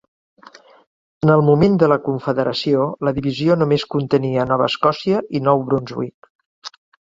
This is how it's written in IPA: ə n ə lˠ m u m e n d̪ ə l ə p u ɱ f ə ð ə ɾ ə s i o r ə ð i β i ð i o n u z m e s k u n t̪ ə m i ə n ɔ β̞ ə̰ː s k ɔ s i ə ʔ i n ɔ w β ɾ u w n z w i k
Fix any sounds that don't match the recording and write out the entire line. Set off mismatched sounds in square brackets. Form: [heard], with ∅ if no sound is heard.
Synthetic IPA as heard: ə n ə lˠ m u m e n d̪ ə l ə [k] u ɱ f ə ð ə ɾ ə s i o [l] ə ð i β i [z] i o n u [∅] m e s k u n t̪ ə [n] i ə n ɔ β̞ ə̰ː s k ɔ s i ə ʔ i n ɔ w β ɾ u [∅] n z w i k